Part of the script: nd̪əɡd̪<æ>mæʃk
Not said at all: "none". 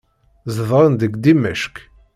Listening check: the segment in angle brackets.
i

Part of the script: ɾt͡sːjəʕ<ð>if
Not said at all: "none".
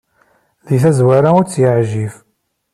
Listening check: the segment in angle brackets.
ʒ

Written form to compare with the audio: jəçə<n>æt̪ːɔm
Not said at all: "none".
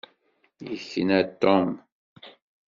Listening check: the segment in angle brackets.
n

